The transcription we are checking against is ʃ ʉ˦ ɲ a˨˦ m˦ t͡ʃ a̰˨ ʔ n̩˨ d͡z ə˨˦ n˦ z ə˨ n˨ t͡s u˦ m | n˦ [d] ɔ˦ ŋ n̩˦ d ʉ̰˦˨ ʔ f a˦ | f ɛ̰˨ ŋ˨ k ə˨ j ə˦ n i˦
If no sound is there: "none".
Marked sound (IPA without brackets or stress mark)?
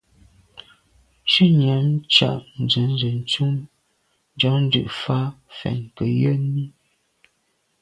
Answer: d͡ʒ